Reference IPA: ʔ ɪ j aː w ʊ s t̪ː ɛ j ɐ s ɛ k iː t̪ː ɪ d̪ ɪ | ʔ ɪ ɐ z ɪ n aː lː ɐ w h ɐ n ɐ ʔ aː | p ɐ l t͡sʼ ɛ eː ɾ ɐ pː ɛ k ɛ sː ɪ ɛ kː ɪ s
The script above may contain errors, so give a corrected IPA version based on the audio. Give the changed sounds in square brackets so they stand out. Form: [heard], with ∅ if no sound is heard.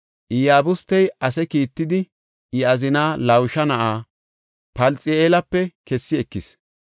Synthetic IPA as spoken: ʔ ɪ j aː [b] ʊ s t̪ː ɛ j ɐ s ɛ k iː t̪ː ɪ d̪ ɪ | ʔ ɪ ɐ z ɪ n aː [l] ɐ w [ʃ] ɐ n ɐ ʔ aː | p ɐ l t͡sʼ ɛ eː [l] ɐ pː ɛ k ɛ sː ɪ ɛ kː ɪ s